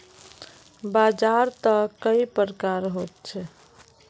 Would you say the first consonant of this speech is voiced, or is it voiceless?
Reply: voiced